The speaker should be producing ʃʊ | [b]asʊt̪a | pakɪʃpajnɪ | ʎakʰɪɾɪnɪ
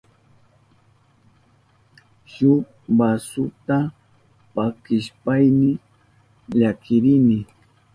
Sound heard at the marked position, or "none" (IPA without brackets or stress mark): b